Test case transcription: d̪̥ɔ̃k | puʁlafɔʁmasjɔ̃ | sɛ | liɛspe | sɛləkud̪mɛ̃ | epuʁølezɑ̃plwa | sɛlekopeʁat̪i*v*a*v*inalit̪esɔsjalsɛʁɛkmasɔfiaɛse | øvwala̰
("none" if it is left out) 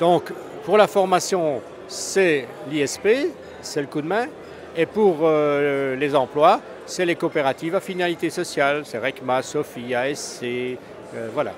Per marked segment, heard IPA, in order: v, f

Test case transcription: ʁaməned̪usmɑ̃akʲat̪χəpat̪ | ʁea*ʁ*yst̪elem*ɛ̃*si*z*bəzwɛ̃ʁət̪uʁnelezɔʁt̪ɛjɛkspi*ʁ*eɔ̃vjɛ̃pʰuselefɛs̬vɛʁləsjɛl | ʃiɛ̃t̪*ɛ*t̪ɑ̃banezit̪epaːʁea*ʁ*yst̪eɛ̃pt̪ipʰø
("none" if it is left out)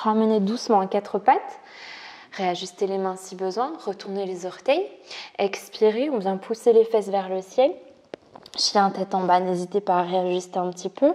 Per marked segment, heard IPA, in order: ʒ, ɛ̃, none, ʁ, ɛ, ʒ

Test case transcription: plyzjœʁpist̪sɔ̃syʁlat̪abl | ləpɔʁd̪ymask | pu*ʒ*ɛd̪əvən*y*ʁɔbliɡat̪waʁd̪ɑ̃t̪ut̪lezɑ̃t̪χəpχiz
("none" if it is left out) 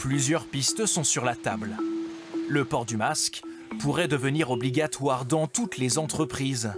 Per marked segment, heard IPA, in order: ʁ, i

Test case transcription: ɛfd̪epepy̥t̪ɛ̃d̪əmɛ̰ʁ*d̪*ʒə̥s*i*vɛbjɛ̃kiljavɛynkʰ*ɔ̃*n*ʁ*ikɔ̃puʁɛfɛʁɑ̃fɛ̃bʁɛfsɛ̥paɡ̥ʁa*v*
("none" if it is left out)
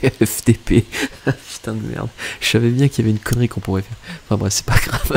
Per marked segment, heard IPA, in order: d̪, a, ɔ, ʁ, v

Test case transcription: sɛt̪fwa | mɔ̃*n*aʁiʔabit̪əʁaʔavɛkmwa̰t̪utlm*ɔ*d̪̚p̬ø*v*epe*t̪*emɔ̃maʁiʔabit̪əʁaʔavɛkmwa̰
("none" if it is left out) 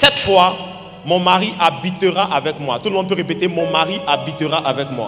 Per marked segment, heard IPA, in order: m, ɔ̃, ʁ, t̪

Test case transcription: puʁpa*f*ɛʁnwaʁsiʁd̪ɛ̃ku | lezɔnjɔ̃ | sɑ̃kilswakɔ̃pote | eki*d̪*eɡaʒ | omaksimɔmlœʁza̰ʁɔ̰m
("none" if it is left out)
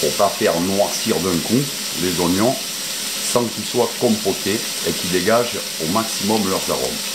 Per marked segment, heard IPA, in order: f, d̪

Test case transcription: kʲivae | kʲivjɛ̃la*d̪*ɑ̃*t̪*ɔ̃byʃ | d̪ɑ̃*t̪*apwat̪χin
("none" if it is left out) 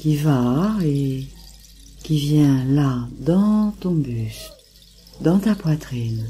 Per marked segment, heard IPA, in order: d̪, t̪, t̪

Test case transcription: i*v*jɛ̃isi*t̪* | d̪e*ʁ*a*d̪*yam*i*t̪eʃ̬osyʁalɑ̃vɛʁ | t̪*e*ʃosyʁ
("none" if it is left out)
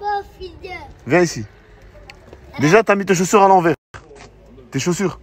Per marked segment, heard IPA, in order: v, none, ʒ, t̪, i, e

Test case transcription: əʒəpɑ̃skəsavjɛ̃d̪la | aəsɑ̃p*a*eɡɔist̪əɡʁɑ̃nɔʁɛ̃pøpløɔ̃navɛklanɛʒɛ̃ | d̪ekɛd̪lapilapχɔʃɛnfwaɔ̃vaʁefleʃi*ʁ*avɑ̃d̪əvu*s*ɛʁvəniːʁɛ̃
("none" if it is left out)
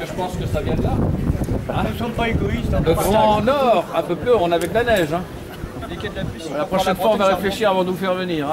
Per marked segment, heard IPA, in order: a, ʁ, f

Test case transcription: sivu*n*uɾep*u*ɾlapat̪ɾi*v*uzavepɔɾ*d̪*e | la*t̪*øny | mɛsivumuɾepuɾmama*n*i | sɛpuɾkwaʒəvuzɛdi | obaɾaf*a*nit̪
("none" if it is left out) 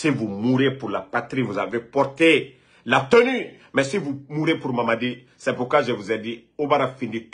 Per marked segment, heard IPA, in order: m, u, v, t̪, t̪, d, i

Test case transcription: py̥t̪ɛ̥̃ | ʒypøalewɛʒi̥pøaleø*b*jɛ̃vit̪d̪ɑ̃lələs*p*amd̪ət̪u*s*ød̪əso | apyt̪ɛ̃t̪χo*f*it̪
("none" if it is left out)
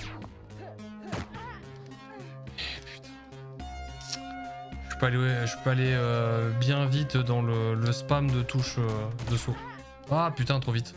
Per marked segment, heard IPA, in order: b, p, ʃ, v

